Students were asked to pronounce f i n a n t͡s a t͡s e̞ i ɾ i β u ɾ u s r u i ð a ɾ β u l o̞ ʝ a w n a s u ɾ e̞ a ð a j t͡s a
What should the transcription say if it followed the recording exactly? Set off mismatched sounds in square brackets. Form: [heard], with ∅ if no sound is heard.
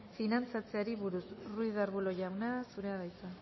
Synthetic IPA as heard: f i n a n t͡s a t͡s e̞ [a] ɾ i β u ɾ u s r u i ð a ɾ β u l o̞ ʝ a w n a s u ɾ e̞ a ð a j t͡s a

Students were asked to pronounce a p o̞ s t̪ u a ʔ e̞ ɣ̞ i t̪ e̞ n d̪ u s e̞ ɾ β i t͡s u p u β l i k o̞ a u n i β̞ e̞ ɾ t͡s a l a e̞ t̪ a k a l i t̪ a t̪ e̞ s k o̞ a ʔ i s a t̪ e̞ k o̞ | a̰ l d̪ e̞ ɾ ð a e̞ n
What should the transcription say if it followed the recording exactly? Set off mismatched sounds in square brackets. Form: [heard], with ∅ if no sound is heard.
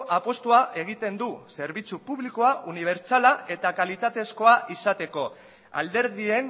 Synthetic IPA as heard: a p o̞ s t̪ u a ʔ e̞ ɣ̞ i t̪ e̞ n d̪ u s e̞ ɾ β i t͡s u p u β l i k o̞ a u n i β̞ e̞ ɾ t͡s a l a e̞ t̪ a k a l i t̪ a t̪ e̞ s k o̞ a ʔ i s a t̪ e̞ k o̞ | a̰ l d̪ e̞ ɾ ð [i] e̞ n

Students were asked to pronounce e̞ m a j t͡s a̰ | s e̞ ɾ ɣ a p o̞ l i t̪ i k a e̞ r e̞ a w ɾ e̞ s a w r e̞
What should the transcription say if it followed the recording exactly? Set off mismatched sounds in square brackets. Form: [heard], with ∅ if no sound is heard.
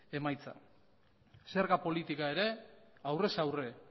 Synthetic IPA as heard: e̞ m a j t͡s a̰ | s e̞ ɾ ɣ a p o̞ l i t̪ i k a e̞ [ɾ] e̞ a w [r] e̞ s a w r e̞

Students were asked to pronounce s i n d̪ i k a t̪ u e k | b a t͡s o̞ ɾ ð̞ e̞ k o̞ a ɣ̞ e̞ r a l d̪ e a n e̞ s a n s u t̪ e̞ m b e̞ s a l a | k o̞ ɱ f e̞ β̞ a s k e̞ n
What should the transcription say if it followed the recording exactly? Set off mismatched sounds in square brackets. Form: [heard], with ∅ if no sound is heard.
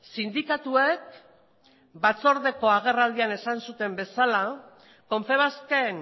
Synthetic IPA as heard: s i n d̪ i k a t̪ u e k | b a t͡s o̞ ɾ ð̞ e̞ k o̞ a ɣ̞ e̞ r a l d̪ [i] a n e̞ s a n s u t̪ e̞ m b e̞ s a l a | k o̞ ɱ f e̞ β̞ a s k e̞ n

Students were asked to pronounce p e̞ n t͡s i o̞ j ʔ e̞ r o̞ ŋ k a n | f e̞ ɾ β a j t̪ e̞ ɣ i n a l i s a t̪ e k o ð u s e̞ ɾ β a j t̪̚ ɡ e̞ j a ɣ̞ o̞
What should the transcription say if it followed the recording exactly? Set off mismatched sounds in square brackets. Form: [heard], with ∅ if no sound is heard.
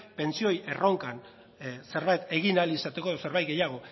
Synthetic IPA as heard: p e̞ n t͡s i o̞ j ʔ e̞ r o̞ ŋ k a n | [s] e̞ ɾ β a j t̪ e̞ ɣ i n a l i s a t̪ e k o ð [o] s e̞ ɾ β a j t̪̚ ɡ e̞ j a ɣ̞ o̞

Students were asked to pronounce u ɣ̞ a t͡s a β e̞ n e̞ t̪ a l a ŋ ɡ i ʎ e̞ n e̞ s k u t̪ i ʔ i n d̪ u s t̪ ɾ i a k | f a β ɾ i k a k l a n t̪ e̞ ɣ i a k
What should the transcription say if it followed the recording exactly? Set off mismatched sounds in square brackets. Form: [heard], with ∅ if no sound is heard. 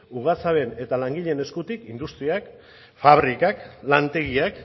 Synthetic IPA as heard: u ɣ̞ a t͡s a β e̞ n e̞ t̪ a l a ŋ ɡ i ʎ e̞ n e̞ s k u t̪ i [k] i n d̪ u s t̪ ɾ i a k | f a β ɾ i k a k l a n t̪ e̞ ɣ i a k

